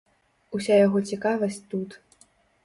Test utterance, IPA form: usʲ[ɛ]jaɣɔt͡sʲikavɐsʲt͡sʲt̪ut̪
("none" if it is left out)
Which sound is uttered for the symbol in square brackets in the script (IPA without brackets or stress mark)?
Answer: a